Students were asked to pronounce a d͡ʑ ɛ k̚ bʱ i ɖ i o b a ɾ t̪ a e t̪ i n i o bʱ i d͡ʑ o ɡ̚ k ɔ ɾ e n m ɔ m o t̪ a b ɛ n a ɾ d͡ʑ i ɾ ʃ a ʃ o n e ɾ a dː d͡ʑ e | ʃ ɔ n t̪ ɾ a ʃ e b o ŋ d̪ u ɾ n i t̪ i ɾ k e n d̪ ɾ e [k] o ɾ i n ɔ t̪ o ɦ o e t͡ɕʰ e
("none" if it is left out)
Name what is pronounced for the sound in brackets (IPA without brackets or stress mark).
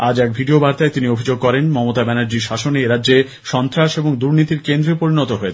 p